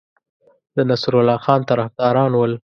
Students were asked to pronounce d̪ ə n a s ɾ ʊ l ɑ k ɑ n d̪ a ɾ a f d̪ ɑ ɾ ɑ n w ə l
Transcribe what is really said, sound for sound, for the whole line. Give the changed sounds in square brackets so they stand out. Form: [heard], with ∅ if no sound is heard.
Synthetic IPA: d̪ ə n a s ɾ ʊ l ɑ [x] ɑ n [t̪] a ɾ a f d̪ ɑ ɾ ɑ n w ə l

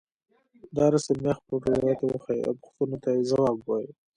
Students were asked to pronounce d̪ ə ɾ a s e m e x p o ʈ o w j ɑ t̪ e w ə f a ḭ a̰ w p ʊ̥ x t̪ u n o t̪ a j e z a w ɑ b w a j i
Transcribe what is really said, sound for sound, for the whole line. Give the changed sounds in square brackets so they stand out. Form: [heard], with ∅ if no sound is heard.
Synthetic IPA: d̪ [ɑ] ɾ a s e m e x p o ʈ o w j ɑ t̪ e w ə [x] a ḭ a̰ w p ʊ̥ x t̪ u n o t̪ a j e z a w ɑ b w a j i

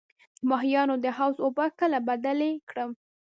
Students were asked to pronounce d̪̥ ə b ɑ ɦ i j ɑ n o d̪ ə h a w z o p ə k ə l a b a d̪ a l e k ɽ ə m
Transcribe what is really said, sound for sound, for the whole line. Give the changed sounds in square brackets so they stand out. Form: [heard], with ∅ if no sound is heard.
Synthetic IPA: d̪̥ ə [m] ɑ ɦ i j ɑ n o d̪ ə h a w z o [b] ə k ə l a b a d̪ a l e k ɽ ə m

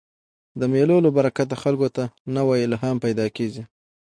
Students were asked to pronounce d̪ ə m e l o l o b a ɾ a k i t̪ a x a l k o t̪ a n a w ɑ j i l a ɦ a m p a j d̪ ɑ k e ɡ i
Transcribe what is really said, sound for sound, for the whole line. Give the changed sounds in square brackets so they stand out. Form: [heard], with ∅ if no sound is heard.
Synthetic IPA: d̪ ə m e l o l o b a ɾ a k [a] t̪ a x a l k o t̪ a n a w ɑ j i l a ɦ a m p a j d̪ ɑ k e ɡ i

